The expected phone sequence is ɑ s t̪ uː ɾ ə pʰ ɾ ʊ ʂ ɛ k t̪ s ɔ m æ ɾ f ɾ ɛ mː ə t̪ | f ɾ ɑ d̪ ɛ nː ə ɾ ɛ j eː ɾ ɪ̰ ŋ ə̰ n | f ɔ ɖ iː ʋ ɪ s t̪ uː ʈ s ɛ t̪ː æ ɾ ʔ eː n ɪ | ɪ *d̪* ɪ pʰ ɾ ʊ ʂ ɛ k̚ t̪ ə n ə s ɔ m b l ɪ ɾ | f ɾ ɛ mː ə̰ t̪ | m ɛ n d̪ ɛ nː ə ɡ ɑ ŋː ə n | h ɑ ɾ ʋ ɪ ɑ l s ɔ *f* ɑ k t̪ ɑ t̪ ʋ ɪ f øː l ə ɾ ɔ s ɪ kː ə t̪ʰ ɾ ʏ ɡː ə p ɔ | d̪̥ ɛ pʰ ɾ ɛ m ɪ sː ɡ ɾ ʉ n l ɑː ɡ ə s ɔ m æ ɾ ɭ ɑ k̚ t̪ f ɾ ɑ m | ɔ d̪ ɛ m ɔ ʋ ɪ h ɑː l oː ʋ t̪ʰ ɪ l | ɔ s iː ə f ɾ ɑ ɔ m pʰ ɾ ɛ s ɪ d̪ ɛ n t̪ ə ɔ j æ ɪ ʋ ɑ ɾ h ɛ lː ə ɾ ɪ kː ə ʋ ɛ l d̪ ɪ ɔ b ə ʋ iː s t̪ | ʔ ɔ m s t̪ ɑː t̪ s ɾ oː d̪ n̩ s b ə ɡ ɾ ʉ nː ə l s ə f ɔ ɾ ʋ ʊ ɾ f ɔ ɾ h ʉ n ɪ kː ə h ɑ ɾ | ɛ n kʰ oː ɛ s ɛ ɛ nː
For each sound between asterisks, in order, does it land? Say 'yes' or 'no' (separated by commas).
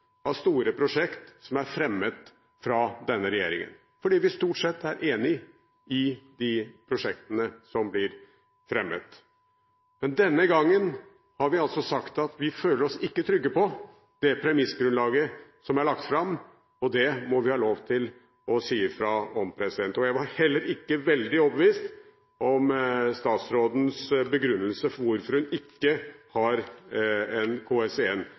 yes, no